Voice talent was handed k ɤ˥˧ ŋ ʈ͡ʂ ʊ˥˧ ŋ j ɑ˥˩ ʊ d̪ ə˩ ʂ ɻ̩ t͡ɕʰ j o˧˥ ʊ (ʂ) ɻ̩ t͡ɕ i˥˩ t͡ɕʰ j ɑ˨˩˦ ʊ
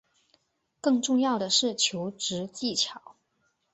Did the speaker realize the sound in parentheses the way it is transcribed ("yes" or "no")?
no